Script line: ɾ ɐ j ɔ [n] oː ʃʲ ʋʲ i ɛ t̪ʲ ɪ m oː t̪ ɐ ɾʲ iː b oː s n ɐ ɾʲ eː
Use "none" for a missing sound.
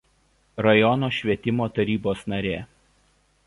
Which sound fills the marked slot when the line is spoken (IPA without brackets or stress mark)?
n